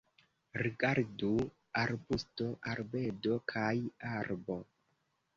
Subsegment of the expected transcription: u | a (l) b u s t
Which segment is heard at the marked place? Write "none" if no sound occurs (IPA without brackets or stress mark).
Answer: ɾ